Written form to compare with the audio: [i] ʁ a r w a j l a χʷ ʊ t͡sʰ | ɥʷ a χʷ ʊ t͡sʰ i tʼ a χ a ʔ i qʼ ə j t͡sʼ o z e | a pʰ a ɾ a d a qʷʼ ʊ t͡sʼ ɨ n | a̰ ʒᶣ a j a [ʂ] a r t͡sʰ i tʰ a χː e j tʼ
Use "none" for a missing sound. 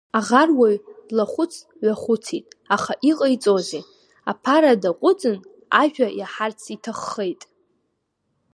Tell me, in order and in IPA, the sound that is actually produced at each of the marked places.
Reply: a, ħ

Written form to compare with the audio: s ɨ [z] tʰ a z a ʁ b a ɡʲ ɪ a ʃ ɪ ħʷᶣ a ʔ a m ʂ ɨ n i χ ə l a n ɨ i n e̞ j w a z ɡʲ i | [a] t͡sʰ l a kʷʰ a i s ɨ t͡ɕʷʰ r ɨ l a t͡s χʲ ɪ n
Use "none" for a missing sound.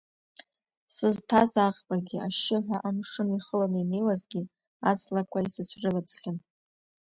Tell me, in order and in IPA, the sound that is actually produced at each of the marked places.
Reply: z, a

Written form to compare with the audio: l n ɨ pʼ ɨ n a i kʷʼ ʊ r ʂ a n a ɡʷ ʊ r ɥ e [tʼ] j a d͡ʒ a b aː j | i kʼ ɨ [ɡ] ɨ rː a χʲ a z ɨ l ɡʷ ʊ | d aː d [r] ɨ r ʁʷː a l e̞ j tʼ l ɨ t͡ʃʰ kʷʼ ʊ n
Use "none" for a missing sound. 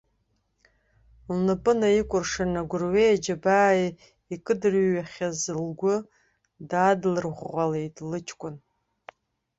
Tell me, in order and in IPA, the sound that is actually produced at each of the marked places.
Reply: none, d, l

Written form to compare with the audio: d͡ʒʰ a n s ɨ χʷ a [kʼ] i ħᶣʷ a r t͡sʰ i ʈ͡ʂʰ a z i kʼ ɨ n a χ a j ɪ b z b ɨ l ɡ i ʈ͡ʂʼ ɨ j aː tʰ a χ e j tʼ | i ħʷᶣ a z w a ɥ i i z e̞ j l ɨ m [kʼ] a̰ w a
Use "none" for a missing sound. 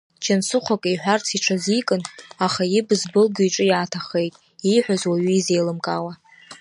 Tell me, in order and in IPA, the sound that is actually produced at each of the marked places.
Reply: kʼ, kʼ

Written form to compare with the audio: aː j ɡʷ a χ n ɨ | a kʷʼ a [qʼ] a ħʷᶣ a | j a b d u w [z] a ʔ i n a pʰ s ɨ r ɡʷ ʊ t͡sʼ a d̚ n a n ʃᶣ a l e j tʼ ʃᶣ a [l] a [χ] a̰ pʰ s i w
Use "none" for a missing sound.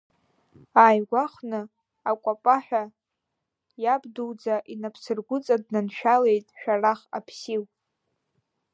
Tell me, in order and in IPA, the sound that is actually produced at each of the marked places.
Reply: pʼ, d͡z, r, χ

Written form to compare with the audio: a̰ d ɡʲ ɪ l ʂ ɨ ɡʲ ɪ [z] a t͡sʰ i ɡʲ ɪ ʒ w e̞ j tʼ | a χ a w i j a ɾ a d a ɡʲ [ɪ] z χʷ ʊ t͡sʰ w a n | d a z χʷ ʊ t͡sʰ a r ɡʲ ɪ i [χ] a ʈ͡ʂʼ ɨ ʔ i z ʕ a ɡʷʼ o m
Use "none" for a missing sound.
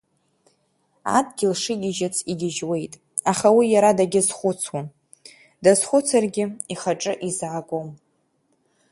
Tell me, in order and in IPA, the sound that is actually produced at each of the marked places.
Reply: ʒ, ɪ, χ

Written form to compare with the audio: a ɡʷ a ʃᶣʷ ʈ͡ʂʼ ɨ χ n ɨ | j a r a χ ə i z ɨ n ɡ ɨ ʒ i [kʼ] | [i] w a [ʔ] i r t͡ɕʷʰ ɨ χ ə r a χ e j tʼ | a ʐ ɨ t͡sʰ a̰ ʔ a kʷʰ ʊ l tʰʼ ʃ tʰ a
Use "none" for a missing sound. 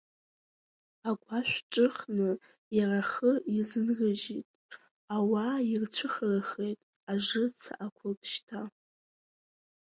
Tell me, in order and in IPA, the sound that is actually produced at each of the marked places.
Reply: tʼ, a, none

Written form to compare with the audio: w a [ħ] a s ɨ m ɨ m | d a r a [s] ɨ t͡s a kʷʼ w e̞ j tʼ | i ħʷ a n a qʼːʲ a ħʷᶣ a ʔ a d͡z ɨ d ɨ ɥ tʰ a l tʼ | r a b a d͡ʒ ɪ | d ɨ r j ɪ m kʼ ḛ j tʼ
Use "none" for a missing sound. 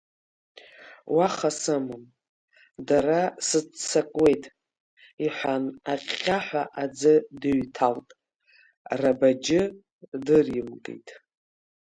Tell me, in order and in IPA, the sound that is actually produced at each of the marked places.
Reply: χ, s

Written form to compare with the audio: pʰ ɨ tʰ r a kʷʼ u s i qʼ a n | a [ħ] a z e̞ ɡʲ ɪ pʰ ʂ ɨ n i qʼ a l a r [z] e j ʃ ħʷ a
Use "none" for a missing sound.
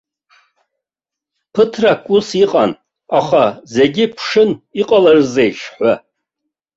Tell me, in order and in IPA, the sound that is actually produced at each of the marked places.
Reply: χ, z

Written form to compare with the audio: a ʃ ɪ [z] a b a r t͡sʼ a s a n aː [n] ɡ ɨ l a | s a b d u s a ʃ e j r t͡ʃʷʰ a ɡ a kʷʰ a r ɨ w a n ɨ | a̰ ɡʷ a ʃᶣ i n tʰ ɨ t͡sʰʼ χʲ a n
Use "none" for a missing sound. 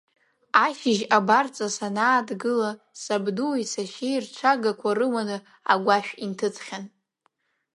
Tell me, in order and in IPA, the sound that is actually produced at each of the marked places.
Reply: ʒ, d

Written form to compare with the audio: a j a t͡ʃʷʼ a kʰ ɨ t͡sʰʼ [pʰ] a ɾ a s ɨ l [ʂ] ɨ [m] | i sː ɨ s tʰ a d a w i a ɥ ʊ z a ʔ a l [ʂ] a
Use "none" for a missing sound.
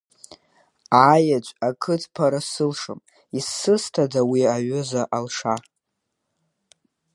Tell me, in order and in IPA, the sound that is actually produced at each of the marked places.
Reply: pʰ, ʂ, m, ʂ

